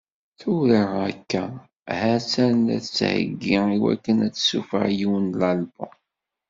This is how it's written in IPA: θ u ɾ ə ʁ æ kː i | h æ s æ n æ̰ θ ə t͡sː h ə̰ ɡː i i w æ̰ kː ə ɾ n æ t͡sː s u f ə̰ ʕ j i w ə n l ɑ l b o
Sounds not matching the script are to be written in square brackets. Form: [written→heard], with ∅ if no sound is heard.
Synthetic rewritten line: θ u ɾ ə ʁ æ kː [i→æ] | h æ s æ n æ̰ θ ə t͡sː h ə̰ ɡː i i w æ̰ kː ə [ɾ→∅] n æ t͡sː s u f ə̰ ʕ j i w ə n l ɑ l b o